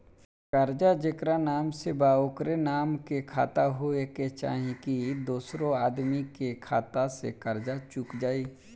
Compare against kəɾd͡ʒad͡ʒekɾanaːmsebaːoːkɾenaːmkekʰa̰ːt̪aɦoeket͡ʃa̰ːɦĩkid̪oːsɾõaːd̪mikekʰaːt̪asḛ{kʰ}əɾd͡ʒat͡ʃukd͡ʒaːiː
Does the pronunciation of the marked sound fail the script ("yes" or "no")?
yes